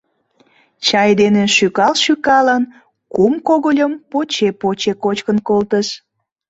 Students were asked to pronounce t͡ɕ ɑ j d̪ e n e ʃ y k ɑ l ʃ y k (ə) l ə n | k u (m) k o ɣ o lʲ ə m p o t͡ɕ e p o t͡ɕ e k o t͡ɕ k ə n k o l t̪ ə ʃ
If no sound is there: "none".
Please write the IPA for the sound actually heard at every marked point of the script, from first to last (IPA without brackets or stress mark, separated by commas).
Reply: ɑ, m